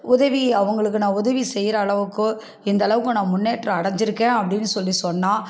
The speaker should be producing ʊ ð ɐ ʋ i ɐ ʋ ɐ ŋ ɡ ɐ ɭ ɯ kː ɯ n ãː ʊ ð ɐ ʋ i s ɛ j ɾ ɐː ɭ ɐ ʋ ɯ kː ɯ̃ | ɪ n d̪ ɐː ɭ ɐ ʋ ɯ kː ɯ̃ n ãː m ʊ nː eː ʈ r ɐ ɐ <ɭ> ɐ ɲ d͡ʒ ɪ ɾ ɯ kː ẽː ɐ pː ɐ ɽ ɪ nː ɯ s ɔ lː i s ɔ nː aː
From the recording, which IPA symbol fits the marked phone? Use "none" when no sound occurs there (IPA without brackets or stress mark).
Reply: ɽ